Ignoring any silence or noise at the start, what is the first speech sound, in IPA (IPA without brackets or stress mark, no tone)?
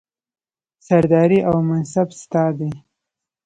s